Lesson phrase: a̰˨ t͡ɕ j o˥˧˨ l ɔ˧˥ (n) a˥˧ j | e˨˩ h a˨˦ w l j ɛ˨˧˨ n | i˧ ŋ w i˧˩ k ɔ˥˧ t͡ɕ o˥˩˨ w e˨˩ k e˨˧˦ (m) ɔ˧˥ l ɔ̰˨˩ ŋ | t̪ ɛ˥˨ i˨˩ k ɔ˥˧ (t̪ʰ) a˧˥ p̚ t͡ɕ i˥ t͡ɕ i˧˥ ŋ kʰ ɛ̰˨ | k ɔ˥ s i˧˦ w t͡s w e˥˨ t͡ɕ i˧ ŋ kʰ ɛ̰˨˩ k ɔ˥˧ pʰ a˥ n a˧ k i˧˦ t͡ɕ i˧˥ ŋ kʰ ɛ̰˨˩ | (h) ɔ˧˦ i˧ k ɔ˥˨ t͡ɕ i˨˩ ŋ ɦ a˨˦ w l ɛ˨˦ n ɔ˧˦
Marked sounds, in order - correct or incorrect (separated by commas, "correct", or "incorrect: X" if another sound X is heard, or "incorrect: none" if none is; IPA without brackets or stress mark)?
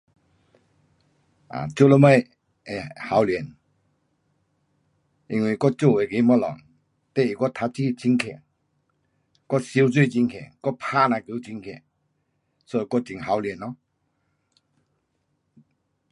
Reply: incorrect: m, correct, correct, incorrect: s